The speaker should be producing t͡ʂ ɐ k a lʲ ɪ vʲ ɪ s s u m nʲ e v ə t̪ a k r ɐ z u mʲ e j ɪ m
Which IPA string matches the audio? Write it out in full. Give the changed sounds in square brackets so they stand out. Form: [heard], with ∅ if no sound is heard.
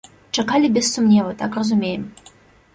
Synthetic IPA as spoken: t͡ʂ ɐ k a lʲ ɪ [bʲ] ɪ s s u m nʲ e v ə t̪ a k r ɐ z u mʲ e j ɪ m